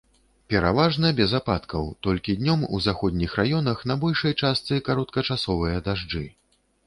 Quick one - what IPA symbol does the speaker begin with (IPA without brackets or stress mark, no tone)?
pʲ